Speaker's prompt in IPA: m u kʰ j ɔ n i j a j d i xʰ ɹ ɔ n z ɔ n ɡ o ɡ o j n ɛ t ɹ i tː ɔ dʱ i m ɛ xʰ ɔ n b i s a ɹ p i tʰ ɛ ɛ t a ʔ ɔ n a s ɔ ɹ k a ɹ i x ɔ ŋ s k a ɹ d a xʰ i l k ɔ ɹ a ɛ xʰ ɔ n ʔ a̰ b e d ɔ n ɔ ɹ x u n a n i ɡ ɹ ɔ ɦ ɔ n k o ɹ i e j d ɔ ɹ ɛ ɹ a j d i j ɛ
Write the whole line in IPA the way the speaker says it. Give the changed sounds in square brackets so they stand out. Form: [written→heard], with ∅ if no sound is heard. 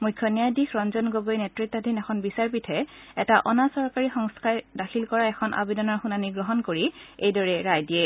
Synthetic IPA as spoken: m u kʰ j ɔ n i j a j d i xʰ ɹ ɔ n z ɔ n ɡ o ɡ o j n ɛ t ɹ i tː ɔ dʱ i [m→n] ɛ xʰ ɔ n b i s a ɹ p i tʰ ɛ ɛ t a ʔ ɔ n a s ɔ ɹ k a ɹ i x ɔ ŋ s k a ɹ d a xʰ i l k ɔ ɹ a ɛ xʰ ɔ n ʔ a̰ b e d ɔ n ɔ ɹ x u n a n i ɡ ɹ ɔ ɦ ɔ n k o ɹ i e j d ɔ ɹ ɛ ɹ a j d i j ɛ